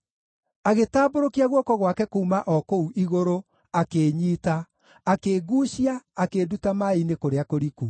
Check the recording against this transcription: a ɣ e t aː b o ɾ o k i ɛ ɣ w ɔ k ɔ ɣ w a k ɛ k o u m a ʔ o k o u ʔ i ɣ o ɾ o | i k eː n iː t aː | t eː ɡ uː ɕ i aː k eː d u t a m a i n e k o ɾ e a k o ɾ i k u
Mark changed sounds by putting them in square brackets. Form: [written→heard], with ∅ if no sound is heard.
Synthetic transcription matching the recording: a ɣ e t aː b o ɾ o k i [ɛ→a] ɣ w ɔ k ɔ ɣ w a k ɛ k o u m a ʔ [o→ɔ] k o u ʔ i ɣ o ɾ o | [i→a] k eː [n→ɲ] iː t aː | [t→k] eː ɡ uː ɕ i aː k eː d u t a m a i n e k o ɾ e a k o ɾ i k u